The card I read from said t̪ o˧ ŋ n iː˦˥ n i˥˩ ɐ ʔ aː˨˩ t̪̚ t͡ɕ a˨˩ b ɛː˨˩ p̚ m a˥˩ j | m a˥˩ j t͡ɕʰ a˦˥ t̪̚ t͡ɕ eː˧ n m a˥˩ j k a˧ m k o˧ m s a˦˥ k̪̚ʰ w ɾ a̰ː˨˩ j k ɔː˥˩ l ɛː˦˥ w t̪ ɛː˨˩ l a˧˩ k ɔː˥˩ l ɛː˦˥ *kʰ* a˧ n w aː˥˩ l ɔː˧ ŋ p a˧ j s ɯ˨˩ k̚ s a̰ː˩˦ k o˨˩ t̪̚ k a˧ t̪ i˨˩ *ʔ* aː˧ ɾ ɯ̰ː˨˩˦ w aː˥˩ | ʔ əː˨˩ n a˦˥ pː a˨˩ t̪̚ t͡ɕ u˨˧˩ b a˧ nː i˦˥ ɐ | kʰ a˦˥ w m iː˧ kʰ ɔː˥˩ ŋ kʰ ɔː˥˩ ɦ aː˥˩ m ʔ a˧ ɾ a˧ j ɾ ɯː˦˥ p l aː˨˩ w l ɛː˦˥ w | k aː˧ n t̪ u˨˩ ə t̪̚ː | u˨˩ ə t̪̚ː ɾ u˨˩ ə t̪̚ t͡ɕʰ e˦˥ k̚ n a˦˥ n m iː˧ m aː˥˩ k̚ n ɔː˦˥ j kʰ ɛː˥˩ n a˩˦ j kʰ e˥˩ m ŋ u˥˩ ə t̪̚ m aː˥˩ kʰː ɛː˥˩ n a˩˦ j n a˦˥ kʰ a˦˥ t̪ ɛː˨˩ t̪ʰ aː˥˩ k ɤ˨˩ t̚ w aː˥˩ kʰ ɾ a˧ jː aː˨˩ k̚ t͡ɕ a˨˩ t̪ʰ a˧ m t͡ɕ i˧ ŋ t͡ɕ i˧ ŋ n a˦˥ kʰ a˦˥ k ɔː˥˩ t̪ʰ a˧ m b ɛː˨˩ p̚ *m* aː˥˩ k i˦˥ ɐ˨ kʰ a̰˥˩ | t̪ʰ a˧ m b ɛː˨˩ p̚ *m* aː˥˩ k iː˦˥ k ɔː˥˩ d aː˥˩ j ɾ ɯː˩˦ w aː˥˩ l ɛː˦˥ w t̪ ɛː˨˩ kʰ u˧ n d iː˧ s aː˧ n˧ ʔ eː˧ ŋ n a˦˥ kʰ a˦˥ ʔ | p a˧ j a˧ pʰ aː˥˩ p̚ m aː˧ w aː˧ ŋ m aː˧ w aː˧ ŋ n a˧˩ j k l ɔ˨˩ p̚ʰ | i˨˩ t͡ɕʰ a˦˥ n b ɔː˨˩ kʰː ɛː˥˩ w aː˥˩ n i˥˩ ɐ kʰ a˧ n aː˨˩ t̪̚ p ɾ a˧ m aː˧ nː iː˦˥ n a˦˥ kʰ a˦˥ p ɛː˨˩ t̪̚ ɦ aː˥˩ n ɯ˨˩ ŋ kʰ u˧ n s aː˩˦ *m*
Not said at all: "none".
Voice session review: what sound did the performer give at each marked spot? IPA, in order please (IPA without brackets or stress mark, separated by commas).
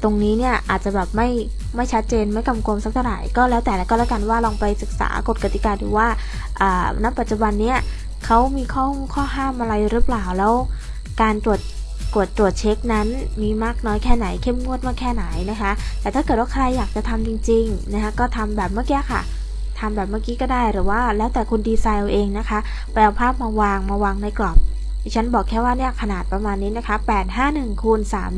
k, k, m, m, m